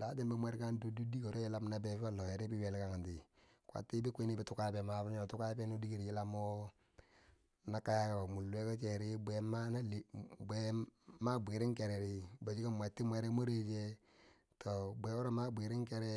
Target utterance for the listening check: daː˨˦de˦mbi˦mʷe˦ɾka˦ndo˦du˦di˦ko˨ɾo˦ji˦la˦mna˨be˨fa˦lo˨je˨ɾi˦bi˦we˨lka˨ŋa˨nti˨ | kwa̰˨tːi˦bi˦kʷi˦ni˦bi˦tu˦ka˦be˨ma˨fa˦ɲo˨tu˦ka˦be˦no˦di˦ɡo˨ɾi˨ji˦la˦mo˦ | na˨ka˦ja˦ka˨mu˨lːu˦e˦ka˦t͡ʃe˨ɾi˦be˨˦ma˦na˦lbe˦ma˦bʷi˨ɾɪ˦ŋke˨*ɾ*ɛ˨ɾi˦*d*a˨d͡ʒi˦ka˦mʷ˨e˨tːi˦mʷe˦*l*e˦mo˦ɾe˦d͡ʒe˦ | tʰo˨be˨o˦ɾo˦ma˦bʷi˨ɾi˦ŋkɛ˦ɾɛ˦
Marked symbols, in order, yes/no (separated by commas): yes, no, no